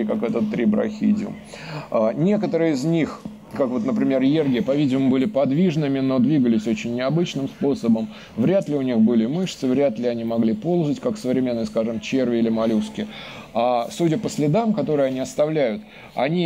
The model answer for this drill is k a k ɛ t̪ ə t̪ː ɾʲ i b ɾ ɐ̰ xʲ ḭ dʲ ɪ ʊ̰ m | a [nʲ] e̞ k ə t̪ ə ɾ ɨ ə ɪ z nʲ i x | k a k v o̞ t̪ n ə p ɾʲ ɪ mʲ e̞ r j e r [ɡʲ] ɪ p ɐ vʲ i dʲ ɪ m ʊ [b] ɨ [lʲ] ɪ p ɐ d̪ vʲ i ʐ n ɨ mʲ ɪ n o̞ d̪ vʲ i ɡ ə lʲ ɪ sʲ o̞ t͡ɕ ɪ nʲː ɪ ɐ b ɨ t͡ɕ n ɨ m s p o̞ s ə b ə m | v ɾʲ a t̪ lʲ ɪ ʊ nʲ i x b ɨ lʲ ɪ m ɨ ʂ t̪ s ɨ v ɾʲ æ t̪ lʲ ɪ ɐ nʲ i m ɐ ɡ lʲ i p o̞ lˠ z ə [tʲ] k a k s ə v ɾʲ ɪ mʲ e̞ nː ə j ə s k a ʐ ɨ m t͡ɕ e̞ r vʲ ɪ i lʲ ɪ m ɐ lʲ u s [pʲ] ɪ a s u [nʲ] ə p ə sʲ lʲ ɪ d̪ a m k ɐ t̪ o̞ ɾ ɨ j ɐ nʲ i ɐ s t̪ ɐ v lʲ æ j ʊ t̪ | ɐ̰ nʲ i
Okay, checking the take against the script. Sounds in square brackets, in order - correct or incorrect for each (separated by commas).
correct, correct, correct, correct, correct, incorrect, incorrect